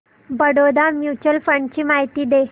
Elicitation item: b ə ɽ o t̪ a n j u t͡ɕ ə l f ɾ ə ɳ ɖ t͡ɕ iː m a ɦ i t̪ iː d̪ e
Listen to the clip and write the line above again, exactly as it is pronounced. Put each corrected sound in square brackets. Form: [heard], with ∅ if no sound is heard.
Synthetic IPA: b ə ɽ o [d̪] a [m] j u t͡ɕ ə l f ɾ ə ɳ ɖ t͡ɕ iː m a ɦ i t̪ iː d̪ e